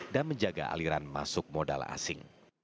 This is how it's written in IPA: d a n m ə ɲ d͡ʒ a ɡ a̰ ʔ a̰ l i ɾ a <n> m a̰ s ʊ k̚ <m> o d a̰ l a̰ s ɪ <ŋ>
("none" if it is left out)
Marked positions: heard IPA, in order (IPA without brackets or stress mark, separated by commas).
n, m, ŋ